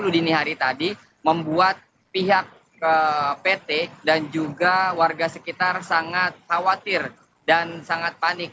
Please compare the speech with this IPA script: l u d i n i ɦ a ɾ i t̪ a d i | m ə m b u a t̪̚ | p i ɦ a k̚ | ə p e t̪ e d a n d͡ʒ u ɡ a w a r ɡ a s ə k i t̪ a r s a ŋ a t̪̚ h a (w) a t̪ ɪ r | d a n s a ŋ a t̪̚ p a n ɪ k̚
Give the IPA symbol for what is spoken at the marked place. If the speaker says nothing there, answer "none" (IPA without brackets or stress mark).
w